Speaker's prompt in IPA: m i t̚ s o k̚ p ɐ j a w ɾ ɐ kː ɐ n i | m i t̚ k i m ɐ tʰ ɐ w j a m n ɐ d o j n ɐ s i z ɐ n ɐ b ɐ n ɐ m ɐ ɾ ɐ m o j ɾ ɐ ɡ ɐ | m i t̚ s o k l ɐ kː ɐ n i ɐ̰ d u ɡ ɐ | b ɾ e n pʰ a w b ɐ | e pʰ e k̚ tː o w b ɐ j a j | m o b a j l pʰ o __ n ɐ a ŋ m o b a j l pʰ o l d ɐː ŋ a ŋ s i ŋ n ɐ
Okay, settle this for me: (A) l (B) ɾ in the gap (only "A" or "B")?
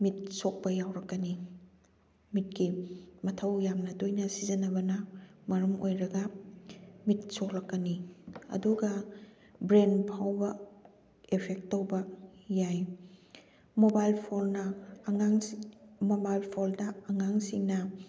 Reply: A